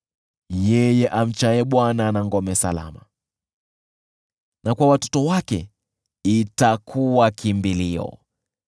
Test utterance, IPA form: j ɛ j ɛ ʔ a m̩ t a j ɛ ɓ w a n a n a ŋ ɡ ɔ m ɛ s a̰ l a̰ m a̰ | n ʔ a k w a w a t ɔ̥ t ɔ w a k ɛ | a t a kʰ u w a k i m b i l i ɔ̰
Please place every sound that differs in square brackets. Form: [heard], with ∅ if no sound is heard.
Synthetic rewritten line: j ɛ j ɛ ʔ a m̩ [t͡ʃ] a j ɛ ɓ w a n a n a ŋ ɡ ɔ m ɛ s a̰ l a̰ m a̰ | n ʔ a k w a w a t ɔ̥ t ɔ w a k ɛ | [i] t a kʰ u w a k i m b i l i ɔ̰